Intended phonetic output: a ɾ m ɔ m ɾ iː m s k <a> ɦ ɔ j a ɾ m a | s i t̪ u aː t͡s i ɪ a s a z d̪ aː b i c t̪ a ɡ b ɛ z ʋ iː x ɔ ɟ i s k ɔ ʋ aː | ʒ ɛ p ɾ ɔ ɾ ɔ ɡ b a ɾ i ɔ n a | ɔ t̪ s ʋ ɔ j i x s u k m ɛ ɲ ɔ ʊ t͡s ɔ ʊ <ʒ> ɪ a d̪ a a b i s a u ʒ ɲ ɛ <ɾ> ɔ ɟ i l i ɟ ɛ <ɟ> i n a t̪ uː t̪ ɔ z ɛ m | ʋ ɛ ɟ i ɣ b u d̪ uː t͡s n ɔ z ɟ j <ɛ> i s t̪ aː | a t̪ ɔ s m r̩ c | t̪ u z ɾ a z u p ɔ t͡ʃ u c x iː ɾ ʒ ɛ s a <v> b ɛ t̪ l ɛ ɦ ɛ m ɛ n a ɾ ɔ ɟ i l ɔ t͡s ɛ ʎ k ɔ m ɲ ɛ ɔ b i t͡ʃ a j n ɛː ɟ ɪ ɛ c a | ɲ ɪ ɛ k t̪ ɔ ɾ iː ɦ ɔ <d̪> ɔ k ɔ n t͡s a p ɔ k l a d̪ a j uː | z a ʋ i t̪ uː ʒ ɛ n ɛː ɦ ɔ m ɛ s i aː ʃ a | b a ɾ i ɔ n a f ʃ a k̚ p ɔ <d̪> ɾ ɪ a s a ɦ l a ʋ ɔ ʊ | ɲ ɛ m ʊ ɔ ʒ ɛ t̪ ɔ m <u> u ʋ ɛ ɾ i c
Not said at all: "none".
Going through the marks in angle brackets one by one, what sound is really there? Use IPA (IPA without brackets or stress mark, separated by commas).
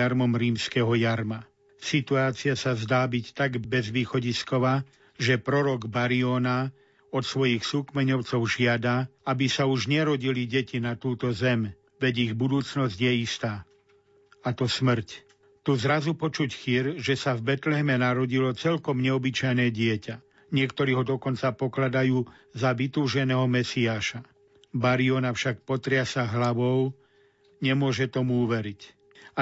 ɛ, ʒ, ɾ, c, ɛ, v, d̪, t̪, u